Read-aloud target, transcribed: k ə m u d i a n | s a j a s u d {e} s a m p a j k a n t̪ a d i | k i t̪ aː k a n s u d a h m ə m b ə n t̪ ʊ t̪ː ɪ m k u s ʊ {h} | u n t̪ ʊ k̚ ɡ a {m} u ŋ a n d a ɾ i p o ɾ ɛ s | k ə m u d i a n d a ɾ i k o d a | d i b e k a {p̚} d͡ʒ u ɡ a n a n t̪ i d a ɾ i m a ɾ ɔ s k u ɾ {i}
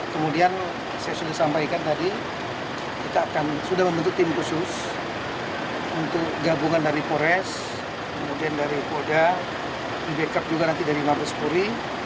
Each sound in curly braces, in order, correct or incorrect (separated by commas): incorrect, incorrect, incorrect, correct, correct